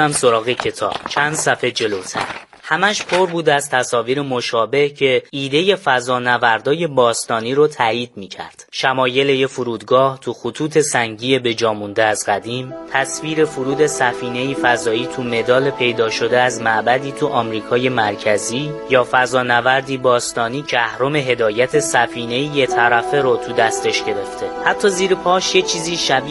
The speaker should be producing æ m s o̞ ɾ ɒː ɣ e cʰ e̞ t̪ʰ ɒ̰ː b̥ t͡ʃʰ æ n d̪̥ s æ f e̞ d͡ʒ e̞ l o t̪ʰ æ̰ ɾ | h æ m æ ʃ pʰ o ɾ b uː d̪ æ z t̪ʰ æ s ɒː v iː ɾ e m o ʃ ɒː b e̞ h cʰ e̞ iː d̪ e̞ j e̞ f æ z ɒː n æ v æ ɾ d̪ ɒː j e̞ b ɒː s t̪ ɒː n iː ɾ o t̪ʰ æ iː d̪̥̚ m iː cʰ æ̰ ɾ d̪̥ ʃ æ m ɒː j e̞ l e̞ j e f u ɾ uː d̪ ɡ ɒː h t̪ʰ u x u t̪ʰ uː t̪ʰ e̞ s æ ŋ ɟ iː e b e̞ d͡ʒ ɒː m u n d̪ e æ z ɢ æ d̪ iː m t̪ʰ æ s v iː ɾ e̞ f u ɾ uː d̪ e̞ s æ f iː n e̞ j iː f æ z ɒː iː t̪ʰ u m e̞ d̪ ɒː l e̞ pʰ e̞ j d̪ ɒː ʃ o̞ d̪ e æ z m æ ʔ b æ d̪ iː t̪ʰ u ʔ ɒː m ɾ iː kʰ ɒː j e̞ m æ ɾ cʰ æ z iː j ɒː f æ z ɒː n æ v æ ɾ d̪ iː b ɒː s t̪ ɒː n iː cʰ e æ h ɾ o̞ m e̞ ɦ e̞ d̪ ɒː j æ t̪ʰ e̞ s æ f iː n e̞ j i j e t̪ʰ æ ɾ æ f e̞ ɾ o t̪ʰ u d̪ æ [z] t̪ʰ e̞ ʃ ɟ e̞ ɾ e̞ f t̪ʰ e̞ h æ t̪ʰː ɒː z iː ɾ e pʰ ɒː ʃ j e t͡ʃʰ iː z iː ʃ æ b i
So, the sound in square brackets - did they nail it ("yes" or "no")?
no